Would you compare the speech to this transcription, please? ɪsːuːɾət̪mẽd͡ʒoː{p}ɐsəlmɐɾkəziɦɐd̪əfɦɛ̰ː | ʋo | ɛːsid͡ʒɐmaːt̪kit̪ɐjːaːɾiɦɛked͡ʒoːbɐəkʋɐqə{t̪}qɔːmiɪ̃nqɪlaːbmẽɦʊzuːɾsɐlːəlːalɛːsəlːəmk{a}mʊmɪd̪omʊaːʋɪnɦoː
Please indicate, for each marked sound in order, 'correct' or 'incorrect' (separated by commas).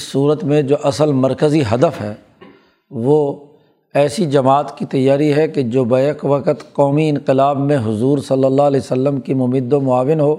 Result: incorrect, correct, incorrect